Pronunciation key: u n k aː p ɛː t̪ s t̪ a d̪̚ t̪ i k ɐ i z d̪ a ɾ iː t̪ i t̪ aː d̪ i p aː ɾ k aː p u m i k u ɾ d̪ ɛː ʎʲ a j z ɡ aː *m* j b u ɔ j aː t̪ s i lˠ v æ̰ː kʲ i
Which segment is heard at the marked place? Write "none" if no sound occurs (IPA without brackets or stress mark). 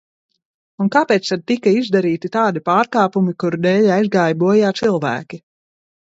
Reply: none